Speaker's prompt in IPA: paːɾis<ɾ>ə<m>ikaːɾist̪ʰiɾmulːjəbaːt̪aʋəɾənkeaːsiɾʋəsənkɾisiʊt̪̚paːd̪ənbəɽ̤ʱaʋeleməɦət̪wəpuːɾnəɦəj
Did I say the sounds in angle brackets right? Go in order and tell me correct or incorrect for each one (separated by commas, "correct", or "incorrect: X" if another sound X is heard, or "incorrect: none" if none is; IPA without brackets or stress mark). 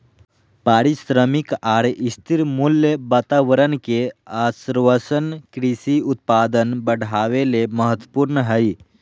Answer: correct, correct